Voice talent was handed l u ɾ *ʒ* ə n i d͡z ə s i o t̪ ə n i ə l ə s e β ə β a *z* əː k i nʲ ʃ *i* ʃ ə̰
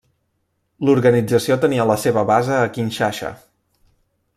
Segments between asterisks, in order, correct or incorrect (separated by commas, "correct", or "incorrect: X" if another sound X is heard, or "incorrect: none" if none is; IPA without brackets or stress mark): incorrect: ɣ, correct, incorrect: a